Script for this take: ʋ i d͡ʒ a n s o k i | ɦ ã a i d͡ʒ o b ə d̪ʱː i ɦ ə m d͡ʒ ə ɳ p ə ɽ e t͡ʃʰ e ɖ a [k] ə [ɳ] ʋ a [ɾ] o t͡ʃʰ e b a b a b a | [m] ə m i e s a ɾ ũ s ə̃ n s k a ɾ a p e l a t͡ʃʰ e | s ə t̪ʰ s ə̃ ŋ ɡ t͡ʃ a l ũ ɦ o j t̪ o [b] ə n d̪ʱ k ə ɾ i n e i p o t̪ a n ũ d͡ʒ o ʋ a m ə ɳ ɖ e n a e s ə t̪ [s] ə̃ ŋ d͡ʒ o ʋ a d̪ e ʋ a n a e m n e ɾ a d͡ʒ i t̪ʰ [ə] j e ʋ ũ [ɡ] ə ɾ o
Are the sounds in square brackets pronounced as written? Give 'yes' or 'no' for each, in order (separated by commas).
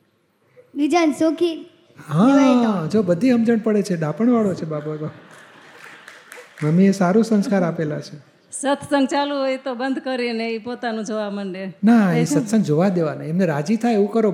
no, yes, no, yes, yes, yes, no, no